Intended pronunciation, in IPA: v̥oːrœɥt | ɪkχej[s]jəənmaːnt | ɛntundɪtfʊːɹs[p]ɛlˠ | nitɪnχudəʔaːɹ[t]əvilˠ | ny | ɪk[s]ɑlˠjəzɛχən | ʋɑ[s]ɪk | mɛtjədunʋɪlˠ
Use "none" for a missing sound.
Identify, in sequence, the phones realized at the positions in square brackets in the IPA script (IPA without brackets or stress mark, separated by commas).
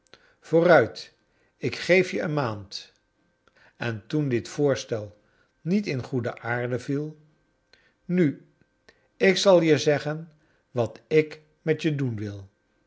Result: f, t, d, s, t